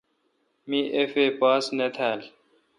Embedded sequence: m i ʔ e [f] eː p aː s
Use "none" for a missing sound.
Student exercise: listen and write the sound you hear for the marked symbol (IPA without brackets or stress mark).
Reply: f